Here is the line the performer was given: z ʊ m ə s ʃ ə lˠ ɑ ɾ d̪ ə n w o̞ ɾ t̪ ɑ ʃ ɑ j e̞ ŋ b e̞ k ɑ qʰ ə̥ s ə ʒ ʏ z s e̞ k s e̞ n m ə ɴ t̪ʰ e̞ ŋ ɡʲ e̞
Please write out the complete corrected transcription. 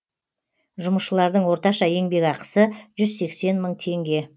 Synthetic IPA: ʒ ʊ m ə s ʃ ə lˠ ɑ ɾ d̪ ə ɴ w o̞ ɾ t̪ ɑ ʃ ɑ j e̞ ŋ b e̞ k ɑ q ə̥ s ə ʒ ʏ z s e̞ k s e̞ n m ə ɴ t̪ʰ e̞ ŋ ɡʲ e̞